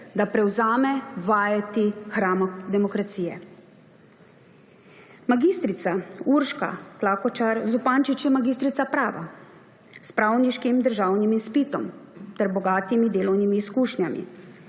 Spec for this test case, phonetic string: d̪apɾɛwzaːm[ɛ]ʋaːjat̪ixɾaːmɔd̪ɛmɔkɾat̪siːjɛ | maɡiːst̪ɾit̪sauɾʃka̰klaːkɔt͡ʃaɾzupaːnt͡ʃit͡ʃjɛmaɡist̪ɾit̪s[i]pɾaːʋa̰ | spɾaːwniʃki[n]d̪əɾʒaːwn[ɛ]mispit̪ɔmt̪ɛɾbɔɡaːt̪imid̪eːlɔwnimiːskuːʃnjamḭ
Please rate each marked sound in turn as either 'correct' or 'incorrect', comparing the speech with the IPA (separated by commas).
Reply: correct, incorrect, incorrect, incorrect